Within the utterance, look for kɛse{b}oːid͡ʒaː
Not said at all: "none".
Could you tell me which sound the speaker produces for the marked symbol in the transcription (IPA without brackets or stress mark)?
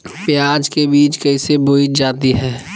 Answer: b